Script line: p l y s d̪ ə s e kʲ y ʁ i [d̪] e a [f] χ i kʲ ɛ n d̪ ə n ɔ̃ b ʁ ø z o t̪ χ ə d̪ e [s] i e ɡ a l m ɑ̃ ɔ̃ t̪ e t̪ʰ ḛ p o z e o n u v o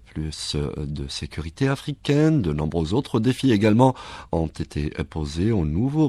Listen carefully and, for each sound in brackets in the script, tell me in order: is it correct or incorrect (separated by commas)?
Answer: incorrect, correct, incorrect